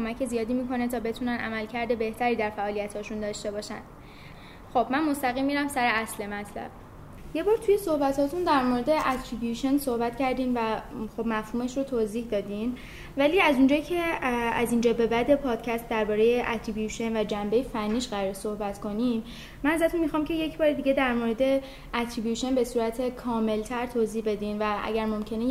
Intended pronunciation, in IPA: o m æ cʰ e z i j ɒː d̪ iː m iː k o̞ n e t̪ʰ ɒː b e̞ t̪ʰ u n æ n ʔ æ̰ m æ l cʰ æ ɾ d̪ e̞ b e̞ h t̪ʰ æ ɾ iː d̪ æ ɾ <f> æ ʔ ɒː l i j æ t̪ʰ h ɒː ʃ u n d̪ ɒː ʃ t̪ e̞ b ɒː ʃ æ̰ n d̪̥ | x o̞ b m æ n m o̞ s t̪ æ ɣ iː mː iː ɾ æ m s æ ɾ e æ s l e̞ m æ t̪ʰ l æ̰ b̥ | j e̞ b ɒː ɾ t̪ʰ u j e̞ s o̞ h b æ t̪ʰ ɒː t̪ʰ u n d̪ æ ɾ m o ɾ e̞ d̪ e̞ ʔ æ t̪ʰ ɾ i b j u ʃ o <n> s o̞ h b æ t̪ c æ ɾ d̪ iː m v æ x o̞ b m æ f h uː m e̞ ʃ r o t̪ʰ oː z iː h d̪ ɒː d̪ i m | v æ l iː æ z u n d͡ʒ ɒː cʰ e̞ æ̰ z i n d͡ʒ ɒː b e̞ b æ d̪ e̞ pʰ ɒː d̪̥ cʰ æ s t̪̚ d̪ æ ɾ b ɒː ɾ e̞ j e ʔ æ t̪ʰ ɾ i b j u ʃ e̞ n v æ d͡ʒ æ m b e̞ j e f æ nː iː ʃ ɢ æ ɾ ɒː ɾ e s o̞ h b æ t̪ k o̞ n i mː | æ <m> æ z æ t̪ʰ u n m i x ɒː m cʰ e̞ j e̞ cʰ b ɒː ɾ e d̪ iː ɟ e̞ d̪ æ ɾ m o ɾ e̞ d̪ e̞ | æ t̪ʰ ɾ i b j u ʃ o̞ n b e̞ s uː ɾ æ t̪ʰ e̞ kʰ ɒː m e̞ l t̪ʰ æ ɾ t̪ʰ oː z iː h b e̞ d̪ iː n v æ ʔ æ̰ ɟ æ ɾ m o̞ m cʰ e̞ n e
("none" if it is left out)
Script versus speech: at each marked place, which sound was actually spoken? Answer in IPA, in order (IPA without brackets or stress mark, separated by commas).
f, n, n